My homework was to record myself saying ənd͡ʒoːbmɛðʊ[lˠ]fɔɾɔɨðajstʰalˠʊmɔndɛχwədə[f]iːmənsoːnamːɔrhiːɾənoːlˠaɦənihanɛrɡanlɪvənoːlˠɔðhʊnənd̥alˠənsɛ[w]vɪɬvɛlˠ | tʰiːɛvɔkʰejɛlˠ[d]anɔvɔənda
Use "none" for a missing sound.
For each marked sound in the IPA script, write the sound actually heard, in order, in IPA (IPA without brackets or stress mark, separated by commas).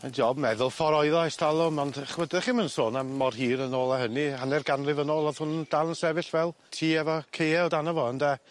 lˠ, χ, none, d